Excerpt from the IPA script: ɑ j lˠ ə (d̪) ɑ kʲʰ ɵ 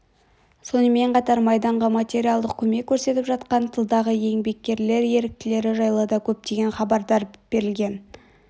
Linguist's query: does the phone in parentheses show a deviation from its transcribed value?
no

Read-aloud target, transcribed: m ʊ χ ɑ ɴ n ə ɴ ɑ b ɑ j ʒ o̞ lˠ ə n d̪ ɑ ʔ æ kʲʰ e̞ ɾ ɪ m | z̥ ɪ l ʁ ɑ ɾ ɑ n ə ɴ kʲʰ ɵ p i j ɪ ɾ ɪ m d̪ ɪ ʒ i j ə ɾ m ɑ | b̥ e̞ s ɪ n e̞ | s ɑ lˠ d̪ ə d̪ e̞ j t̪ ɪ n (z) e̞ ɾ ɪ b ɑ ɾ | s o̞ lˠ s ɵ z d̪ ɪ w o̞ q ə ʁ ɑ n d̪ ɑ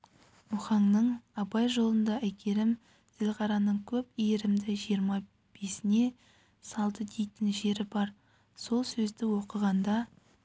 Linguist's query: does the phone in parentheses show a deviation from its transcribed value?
yes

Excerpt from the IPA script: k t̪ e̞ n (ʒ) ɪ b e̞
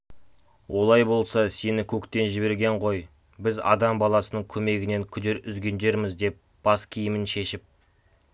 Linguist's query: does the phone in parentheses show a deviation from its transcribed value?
no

